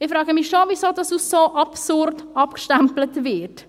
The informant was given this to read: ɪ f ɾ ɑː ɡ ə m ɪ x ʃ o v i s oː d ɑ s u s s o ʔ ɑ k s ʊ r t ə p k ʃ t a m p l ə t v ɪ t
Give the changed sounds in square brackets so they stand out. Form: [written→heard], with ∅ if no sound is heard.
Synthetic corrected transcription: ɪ f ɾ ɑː ɡ ə m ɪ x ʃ o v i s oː d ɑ s u s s o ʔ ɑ [k→p] s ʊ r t [ə→ɑ] p k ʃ t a m p l ə t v ɪ t